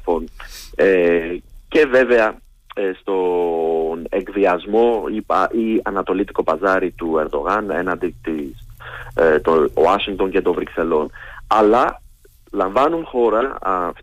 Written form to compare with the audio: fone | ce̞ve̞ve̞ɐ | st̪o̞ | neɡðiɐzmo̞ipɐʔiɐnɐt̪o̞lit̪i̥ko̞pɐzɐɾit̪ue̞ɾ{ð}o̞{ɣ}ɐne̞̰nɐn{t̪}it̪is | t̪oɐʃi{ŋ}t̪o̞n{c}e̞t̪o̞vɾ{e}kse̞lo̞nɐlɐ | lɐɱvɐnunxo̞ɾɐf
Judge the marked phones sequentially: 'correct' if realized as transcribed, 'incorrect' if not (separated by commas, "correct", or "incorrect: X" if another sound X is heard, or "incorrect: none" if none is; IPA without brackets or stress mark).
correct, correct, incorrect: d̪, correct, correct, incorrect: i